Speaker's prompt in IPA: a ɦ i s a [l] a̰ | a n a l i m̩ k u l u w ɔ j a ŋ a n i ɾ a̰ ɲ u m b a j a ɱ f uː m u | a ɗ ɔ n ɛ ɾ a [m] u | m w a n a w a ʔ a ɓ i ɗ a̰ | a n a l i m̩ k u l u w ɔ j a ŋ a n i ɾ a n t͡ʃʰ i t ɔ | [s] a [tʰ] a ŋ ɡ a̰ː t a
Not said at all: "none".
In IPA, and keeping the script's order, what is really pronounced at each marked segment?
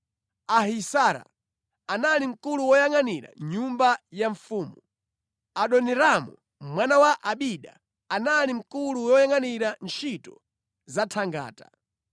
ɾ, m, z, tʰ

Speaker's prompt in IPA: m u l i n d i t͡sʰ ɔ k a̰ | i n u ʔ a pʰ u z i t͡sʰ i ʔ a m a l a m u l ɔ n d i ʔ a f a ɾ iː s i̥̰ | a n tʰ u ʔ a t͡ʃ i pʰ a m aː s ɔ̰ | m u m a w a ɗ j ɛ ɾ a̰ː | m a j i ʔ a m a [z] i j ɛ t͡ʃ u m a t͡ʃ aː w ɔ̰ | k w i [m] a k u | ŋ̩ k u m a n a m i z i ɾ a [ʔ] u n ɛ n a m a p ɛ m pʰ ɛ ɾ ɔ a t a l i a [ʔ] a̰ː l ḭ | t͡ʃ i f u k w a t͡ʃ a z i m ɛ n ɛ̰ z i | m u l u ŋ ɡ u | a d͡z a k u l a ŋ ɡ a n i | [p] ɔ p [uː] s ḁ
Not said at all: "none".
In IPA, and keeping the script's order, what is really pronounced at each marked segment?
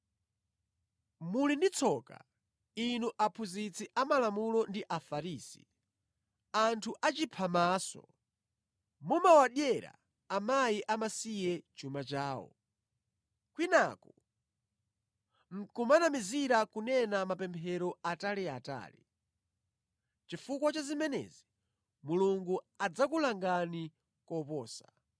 s, n, k, t, k, ɔː

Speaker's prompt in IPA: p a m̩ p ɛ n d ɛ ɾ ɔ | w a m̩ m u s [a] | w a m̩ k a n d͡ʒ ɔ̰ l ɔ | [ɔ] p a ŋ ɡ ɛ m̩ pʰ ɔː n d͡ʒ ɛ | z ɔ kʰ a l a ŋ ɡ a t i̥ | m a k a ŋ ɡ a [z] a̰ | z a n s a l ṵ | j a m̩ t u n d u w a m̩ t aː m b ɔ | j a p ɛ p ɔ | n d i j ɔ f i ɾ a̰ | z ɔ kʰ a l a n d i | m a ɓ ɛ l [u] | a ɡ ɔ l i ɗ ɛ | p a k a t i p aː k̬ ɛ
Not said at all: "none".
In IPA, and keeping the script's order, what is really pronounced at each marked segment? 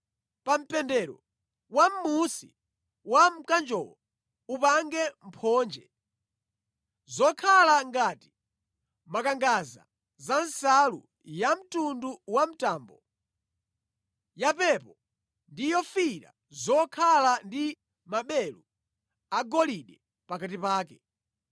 i, u, z, u

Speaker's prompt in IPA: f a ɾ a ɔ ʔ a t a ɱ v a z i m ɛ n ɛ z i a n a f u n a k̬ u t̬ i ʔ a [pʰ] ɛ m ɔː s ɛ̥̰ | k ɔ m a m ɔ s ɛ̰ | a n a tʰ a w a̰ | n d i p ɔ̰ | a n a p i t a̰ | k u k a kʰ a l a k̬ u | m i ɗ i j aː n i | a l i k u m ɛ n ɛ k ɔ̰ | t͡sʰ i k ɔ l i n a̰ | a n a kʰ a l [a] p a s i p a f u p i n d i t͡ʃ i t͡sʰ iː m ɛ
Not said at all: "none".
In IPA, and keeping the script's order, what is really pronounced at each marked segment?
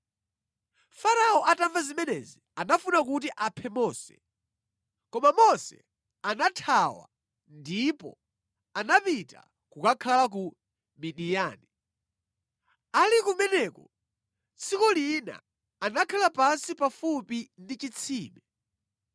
pʰ, a

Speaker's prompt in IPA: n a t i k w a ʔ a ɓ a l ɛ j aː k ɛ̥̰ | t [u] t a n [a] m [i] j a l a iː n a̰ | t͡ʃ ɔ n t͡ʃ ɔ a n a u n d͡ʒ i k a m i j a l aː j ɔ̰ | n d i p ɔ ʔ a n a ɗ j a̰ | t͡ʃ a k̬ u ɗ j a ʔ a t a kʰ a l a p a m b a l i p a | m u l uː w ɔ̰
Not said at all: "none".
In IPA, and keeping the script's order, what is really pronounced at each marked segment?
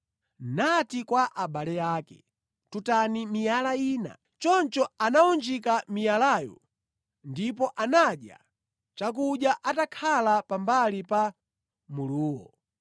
u, i, i

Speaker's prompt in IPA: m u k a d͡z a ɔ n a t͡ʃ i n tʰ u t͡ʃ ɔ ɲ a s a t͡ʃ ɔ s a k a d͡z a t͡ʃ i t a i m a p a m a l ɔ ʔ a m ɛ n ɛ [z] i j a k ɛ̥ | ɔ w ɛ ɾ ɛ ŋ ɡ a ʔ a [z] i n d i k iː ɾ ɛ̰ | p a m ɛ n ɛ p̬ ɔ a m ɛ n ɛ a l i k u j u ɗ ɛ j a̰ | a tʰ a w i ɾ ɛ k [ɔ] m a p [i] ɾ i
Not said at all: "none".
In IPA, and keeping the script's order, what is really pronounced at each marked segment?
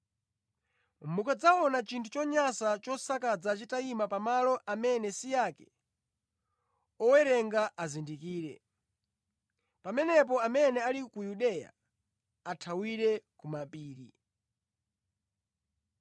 s, z, u, iː

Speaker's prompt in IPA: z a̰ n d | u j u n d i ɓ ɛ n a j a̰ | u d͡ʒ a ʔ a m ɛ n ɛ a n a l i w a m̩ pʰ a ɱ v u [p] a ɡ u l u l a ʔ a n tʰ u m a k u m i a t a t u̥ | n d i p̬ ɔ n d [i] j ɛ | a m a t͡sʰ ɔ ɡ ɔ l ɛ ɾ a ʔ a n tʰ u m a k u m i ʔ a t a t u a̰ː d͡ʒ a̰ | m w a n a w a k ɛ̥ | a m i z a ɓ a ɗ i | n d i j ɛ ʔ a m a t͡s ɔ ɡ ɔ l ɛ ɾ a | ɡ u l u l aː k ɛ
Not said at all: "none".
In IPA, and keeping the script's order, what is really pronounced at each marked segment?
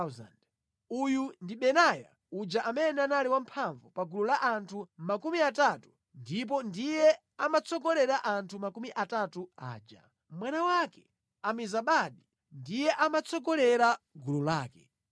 p, i

